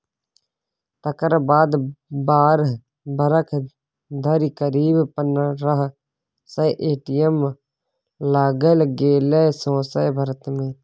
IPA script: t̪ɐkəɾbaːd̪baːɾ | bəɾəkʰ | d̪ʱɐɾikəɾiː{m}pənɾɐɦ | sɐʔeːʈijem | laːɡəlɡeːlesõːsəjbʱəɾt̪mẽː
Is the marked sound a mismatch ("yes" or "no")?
yes